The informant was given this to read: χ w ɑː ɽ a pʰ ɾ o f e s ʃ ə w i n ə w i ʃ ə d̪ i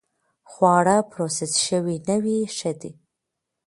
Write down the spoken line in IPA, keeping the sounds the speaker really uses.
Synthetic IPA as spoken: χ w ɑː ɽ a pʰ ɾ o s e s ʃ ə w i n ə w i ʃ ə d̪ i